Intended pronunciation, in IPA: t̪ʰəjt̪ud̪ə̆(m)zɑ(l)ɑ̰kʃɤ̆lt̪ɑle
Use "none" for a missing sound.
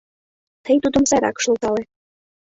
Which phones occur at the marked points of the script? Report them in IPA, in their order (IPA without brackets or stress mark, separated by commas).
m, ɾ